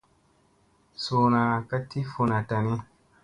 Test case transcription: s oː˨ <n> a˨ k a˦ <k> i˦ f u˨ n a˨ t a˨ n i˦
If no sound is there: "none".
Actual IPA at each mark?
n, t

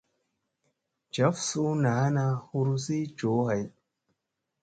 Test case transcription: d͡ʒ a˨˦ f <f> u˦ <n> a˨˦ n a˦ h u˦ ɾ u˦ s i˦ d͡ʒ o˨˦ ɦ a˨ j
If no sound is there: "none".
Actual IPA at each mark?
s, n

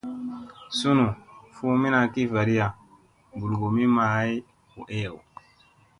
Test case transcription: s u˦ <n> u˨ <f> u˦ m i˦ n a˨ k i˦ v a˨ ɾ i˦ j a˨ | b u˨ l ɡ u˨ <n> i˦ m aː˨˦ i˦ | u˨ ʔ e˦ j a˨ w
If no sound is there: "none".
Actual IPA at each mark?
n, f, m

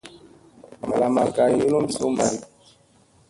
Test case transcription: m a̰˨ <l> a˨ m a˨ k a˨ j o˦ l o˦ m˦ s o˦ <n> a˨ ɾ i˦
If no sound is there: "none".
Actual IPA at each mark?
l, m

